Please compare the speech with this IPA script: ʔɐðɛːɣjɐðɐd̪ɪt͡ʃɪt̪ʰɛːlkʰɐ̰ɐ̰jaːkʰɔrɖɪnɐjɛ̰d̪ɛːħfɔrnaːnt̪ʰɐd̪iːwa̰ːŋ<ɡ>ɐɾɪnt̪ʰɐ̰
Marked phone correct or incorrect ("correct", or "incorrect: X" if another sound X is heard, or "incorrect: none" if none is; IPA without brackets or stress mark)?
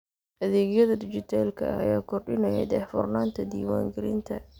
correct